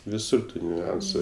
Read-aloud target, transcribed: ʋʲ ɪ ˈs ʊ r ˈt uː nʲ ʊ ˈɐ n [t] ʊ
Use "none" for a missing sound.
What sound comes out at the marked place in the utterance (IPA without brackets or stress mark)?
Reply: s